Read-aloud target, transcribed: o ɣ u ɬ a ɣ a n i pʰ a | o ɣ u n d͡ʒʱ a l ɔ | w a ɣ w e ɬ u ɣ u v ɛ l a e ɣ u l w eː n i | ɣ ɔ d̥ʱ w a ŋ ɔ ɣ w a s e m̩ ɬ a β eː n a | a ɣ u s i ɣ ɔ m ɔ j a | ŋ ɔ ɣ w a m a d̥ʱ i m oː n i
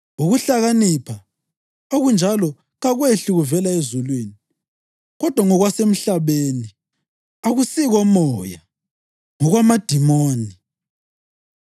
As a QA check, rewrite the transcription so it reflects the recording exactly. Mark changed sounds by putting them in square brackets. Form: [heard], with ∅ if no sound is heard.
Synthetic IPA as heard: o ɣ u ɬ a ɣ a n i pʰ a | o ɣ u n d͡ʒʱ a l ɔ | [ɣ] a ɣ w e ɬ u ɣ u v ɛ l a e [z] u l w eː n i | ɣ ɔ d̥ʱ w a ŋ ɔ ɣ w a s e m̩ ɬ a β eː n [i] | a ɣ u s i ɣ ɔ m ɔ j a | ŋ ɔ ɣ w a m a d̥ʱ i m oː n i